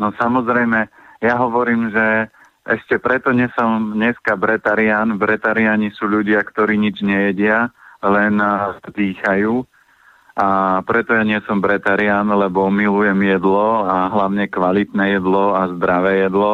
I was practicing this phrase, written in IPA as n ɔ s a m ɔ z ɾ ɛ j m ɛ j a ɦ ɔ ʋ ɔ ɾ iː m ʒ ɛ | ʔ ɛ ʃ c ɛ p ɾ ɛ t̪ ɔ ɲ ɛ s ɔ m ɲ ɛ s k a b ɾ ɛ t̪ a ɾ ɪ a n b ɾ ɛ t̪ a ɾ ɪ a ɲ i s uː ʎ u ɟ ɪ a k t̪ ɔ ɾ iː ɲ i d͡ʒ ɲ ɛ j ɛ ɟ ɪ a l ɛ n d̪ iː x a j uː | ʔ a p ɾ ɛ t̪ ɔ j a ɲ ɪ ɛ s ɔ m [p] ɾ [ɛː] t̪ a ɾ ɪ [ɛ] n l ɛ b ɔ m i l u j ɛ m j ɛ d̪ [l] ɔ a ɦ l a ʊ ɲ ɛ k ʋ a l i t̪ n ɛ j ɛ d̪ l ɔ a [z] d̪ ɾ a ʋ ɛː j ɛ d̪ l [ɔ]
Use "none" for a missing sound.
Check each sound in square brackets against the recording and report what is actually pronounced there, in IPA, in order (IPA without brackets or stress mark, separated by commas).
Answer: b, ɛ, a, l, z, ɔ